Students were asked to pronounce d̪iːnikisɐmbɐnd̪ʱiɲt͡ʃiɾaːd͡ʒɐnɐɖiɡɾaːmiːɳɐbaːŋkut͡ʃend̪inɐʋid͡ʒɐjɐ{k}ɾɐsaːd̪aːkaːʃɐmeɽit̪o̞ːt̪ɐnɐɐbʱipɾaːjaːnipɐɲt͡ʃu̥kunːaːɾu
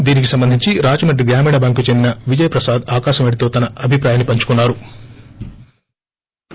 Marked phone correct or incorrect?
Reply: incorrect